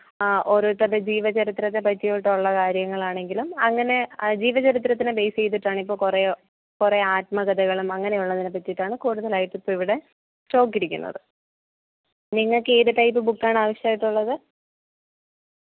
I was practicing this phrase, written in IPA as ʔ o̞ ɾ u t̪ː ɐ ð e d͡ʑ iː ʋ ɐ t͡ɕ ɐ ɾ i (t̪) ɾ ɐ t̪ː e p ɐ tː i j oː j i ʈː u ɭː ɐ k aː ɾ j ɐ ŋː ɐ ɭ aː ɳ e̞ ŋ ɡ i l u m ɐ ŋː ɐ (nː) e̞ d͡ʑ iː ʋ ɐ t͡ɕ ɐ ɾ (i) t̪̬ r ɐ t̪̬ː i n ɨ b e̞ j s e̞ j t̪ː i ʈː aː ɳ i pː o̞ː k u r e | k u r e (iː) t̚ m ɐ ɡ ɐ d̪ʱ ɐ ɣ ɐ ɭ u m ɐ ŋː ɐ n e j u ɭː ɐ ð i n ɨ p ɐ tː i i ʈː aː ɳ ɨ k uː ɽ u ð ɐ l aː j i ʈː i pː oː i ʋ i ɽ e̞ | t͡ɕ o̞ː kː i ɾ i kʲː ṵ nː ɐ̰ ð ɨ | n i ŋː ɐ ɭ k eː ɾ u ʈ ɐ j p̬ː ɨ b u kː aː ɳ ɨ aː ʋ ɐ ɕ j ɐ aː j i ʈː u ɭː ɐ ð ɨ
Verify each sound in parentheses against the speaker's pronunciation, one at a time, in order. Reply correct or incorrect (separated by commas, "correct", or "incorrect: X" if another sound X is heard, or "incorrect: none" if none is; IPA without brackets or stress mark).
correct, incorrect: n, correct, incorrect: aː